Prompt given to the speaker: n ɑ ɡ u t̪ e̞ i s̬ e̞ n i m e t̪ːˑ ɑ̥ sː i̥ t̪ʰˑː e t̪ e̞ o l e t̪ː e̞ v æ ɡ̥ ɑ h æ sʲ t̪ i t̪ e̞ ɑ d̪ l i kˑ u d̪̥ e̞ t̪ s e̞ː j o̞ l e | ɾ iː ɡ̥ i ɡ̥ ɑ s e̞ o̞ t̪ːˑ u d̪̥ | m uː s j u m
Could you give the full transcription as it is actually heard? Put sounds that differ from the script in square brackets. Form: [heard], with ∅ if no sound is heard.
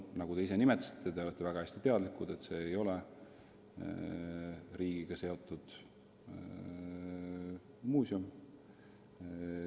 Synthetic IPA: n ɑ ɡ u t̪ e̞ i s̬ e̞ n i m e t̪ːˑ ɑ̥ [s] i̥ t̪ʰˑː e t̪ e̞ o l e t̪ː e̞ v æ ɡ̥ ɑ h æ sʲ t̪ i t̪ e̞ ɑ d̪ l i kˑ u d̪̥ e̞ t̪ s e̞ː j o̞ l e | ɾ iː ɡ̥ i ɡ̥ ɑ s e̞ o̞ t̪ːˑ u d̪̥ | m uː s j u m